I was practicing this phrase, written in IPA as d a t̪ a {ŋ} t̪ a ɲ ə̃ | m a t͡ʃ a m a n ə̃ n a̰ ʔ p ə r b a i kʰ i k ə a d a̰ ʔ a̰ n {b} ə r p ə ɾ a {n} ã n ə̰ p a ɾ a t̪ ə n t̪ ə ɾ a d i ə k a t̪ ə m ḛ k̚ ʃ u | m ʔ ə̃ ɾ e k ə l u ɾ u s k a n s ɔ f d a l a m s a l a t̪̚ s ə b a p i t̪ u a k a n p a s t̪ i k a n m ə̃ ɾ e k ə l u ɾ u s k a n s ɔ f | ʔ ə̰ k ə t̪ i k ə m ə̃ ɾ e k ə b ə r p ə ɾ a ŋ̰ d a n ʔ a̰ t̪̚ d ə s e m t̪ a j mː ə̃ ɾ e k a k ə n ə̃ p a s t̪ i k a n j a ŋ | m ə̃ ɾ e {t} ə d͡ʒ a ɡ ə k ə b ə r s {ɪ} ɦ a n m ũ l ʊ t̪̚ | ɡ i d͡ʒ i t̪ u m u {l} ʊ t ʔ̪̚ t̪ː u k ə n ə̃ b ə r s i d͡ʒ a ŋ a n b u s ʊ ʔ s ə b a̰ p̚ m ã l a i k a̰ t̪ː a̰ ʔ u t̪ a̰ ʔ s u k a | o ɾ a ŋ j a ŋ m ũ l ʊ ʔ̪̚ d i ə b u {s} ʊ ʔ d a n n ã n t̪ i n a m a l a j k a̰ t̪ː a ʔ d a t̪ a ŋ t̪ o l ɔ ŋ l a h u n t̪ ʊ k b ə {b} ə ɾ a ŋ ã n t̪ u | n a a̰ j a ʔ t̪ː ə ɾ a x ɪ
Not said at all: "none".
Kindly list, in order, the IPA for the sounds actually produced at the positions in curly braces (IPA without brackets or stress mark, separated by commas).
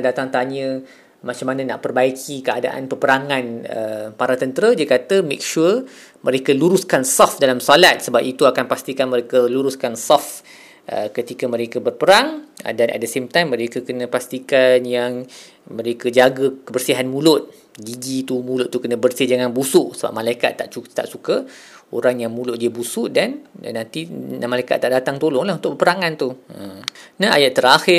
ŋ, p, ŋ, k, i, l, s, p